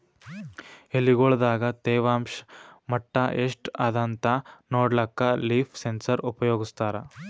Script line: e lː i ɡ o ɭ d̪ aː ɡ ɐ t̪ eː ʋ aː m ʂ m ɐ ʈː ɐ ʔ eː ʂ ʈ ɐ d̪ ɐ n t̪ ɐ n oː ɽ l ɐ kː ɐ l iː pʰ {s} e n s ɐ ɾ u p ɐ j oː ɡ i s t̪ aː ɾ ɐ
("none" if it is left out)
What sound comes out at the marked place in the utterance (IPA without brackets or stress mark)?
s